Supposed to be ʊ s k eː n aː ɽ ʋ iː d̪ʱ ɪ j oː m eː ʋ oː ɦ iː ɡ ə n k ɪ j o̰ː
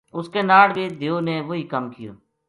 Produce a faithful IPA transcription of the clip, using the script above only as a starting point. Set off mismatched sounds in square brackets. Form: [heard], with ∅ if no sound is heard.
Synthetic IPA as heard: ʊ s k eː n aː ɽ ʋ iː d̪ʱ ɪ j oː [n] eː ʋ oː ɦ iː [k] ə [m] k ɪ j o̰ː

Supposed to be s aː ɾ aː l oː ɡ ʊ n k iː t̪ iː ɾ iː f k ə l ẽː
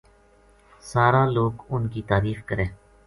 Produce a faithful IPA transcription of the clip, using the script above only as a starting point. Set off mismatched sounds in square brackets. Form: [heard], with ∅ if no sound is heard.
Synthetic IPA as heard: s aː ɾ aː l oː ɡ ʊ n k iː t̪ [aː] ɾ iː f k ə [ɾ] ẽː

